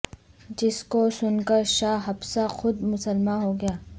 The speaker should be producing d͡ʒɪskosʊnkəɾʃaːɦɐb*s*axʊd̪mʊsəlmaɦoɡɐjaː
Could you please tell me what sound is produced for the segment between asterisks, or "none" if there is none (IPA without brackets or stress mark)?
s